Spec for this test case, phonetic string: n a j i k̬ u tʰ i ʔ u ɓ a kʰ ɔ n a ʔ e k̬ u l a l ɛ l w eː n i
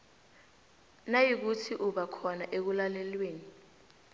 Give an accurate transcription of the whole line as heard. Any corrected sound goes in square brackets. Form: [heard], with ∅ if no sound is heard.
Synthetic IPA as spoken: n a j i k̬ u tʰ i ʔ u ɓ a kʰ ɔ n a ʔ e k̬ u l a l ɛ l w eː n i

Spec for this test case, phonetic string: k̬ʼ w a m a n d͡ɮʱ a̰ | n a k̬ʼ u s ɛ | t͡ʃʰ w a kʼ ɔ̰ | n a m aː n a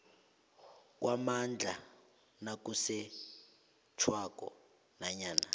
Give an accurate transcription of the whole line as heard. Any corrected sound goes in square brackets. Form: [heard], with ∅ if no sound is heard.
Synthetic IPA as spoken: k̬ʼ w a m a n d͡ɮʱ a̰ | n a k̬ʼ u s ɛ | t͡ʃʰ w a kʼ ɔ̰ | n a [ɲ] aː n a

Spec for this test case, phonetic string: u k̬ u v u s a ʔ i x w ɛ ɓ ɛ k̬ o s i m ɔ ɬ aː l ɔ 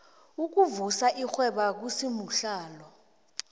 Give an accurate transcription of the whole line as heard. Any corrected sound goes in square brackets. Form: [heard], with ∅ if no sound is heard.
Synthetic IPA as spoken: u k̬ u v u s a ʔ i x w ɛ ɓ [a] k̬ [u] s i m [u] ɬ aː l ɔ

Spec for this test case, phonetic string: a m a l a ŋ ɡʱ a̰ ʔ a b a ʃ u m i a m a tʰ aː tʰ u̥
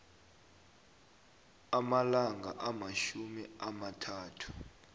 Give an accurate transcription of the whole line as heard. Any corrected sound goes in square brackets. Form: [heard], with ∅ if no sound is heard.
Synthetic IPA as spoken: a m a l a ŋ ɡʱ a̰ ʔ a [m] a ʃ u m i a m a tʰ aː tʰ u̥

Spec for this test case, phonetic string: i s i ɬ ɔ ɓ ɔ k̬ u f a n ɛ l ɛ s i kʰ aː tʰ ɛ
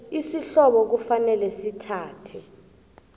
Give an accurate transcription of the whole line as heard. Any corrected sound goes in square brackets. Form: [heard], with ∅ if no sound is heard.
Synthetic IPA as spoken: i s i ɬ ɔ ɓ ɔ k̬ u f a n ɛ l ɛ s i [tʰ] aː tʰ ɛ

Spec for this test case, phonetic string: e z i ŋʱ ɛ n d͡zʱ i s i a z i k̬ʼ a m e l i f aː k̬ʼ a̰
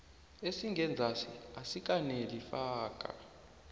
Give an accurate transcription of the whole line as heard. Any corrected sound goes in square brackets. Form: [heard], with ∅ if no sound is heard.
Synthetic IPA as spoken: e [s] i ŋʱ ɛ n d͡zʱ [a] s i a [s] i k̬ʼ a [n] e l i f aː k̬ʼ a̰

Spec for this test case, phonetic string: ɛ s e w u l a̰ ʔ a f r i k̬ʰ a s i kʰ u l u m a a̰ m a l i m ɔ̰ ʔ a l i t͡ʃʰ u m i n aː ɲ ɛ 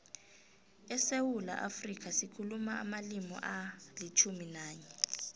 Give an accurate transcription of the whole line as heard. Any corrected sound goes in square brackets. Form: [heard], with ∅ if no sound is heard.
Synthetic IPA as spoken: ɛ s e w u l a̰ ʔ a f r i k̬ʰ a s i kʰ u l u m a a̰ m a l i m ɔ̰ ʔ a l i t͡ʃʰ u m i n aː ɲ ɛ

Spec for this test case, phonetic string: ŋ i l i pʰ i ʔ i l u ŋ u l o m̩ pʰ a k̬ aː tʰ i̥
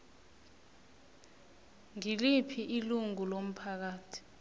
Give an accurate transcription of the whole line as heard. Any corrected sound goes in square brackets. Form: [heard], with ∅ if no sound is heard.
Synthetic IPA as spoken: ŋ i l i pʰ i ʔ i l u ŋ u l o m̩ pʰ a k̬ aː tʰ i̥

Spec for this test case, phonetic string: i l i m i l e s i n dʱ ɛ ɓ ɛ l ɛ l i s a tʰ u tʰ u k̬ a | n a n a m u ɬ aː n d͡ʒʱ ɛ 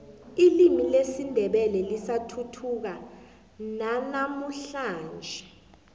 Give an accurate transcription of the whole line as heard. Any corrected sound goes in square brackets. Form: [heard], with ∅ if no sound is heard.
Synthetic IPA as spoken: i l i m i l e s i n dʱ ɛ ɓ ɛ l ɛ l i s a tʰ u tʰ u k̬ a | n a n a m u ɬ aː n d͡ʒʱ ɛ

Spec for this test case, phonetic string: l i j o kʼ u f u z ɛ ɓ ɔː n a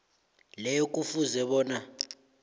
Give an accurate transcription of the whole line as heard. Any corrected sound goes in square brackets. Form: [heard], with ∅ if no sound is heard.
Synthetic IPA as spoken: l [ɛ] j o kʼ u f u z ɛ ɓ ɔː n a

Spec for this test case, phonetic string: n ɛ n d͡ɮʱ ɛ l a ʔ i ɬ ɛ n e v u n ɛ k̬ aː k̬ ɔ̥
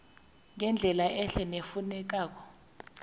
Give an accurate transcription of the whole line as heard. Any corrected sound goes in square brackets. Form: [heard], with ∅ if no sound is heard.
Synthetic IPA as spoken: [ŋ] ɛ n d͡ɮʱ ɛ l a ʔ [ɛ] ɬ ɛ n e [f] u n ɛ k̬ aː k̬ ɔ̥

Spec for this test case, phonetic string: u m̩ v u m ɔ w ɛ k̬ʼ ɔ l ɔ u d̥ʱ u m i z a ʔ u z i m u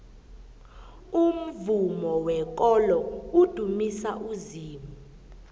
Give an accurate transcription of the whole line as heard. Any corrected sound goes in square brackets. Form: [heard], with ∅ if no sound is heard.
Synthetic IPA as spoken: u m̩ v u m ɔ w ɛ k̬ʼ ɔ l ɔ u d̥ʱ u m i [s] a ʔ u z [iː] m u

